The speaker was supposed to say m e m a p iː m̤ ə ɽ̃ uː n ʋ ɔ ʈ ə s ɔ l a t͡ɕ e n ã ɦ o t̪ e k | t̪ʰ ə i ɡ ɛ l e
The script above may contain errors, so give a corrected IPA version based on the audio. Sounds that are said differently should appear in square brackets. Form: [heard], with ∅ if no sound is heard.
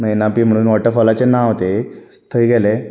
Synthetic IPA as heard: m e [n] a p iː m̤ ə ɽ̃ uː n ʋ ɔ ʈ ə [f] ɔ l a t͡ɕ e n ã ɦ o t̪ e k | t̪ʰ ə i ɡ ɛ l e